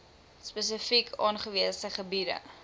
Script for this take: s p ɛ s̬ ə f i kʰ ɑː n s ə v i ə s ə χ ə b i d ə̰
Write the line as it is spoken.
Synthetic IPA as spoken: s p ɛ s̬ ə f i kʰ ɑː n χ ə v i ə s ə χ ə b i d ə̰